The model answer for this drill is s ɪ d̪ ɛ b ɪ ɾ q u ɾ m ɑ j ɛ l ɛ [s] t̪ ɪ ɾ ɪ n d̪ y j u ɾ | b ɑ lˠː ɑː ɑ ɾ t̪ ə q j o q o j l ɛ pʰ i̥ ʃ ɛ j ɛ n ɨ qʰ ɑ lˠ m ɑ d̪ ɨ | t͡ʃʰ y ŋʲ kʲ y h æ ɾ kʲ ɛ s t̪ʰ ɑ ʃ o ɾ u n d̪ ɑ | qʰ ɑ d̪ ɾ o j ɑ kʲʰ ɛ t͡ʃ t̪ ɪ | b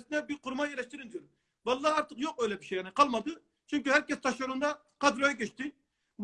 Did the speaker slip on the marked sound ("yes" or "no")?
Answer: yes